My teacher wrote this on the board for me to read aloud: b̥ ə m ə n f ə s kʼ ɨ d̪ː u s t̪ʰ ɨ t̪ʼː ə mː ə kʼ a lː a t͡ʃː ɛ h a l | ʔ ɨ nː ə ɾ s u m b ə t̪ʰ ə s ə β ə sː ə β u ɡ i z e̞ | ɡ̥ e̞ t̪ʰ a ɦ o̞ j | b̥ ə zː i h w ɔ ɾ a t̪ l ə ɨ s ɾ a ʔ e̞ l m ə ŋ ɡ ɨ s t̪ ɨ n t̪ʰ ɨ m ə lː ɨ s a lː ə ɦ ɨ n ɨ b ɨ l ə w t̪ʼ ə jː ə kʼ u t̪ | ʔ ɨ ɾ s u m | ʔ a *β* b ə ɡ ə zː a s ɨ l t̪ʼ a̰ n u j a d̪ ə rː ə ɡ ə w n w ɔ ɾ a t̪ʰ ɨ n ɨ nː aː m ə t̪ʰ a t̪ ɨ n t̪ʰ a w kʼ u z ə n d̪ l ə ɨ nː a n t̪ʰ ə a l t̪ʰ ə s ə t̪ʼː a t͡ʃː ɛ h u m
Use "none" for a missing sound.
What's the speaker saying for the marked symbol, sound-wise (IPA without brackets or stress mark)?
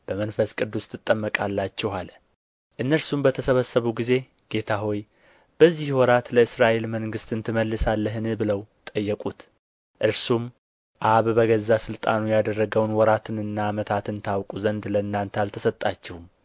β